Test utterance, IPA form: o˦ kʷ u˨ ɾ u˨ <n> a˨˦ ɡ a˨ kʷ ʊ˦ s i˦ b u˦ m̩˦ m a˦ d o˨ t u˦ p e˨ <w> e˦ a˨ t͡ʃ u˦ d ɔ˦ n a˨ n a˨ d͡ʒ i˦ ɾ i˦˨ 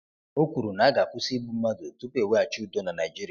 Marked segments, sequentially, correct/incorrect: correct, correct

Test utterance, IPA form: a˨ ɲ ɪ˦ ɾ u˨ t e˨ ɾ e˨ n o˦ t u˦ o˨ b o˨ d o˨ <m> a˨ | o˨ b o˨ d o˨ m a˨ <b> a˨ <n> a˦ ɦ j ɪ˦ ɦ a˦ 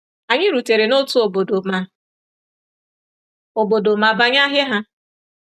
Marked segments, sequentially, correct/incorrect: correct, correct, incorrect

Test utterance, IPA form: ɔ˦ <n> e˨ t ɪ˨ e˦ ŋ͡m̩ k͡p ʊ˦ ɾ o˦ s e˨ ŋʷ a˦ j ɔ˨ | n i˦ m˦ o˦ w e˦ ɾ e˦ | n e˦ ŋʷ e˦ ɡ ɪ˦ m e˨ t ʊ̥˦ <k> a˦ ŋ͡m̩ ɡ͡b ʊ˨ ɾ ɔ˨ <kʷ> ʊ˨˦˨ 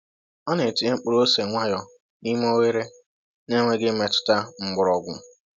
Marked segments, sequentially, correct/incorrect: correct, incorrect, incorrect

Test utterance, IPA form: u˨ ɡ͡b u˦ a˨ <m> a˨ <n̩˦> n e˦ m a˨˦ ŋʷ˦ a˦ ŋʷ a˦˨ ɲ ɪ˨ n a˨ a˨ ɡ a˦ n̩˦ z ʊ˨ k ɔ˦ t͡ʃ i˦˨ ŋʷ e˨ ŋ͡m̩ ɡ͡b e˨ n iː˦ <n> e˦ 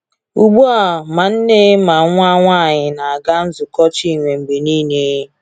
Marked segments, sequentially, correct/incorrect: correct, correct, correct

